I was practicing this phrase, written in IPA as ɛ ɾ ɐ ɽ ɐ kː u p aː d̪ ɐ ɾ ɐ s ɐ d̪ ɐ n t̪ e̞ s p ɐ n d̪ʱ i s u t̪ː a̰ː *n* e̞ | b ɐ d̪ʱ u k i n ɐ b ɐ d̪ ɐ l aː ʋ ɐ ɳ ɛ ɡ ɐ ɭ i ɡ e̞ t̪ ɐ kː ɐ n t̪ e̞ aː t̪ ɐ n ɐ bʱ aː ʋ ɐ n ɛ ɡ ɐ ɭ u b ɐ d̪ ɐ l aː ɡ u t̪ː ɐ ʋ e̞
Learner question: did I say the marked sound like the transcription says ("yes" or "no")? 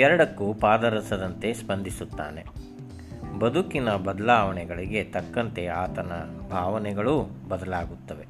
yes